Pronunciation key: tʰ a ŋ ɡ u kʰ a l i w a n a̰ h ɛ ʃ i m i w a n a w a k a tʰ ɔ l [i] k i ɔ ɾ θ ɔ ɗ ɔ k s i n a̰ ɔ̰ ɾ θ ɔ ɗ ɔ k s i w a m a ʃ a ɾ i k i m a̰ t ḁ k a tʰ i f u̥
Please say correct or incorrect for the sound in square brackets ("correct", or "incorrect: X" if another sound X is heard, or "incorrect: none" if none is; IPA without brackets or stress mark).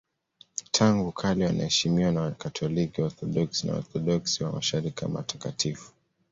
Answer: correct